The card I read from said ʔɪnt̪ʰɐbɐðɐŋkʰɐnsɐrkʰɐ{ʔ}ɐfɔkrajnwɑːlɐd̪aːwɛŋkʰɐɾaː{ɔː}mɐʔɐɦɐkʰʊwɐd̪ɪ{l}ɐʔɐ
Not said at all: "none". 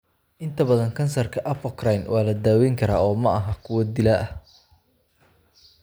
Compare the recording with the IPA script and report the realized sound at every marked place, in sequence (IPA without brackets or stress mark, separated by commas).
ʔ, ɔː, l